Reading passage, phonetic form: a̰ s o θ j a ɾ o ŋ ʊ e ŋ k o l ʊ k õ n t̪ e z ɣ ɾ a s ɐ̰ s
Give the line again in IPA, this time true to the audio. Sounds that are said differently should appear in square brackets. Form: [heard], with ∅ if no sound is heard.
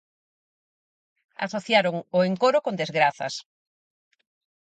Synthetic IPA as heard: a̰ s o θ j a ɾ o ŋ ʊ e ŋ k o [ɾ] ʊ k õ n [d̪] e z ɣ ɾ a [θ] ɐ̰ s